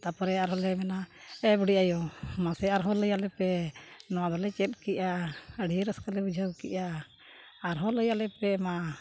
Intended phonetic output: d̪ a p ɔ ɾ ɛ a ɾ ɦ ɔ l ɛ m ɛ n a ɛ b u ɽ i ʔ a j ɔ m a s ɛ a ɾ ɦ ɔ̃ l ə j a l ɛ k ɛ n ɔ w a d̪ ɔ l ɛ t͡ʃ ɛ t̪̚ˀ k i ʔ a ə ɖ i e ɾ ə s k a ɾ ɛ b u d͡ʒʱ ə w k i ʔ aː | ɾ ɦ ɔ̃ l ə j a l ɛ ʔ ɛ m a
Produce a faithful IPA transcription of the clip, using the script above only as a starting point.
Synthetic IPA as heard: t̪ a p ɔ ɾ ɛ a ɾ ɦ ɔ l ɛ m ɛ n a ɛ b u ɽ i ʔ a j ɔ m a s ɛ a ɾ ɦ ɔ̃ l ə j a l ɛ p ɛ n ɔ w a d̪ ɔ l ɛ t͡ʃ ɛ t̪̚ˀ k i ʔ a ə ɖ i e ɾ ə s k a l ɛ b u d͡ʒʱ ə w k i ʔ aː | ɾ ɦ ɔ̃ l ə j a l ɛ p ɛ m a